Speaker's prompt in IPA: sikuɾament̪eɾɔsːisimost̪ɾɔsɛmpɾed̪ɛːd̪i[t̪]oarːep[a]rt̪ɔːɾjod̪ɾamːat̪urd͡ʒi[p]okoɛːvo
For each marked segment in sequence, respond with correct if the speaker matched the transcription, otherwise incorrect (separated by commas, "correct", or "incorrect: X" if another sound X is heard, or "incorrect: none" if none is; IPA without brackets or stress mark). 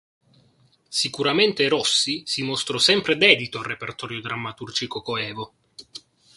correct, incorrect: e, incorrect: k